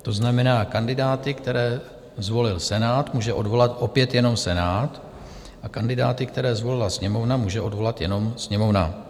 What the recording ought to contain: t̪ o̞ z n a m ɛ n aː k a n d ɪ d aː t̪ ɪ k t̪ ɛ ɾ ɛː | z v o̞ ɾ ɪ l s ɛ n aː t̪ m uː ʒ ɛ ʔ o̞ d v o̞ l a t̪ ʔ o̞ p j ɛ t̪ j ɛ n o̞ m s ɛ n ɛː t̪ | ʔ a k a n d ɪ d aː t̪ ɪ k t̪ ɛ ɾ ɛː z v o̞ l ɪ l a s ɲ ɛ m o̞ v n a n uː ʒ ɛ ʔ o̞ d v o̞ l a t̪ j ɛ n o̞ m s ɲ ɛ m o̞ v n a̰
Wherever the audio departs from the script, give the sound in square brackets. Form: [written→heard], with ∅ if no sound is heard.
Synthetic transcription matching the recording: t̪ o̞ z n a m ɛ n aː k a n d ɪ d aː t̪ ɪ k t̪ ɛ ɾ ɛː | z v o̞ [ɾ→l] ɪ l s ɛ n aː t̪ m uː ʒ ɛ ʔ o̞ d v o̞ l a t̪ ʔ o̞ p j ɛ t̪ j ɛ n o̞ m s ɛ n [ɛː→aː] t̪ | ʔ a k a n d ɪ d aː t̪ ɪ k t̪ ɛ ɾ ɛː z v o̞ l ɪ l a s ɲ ɛ m o̞ v n a [n→m] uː ʒ ɛ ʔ o̞ d v o̞ l a t̪ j ɛ n o̞ m s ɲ ɛ m o̞ v n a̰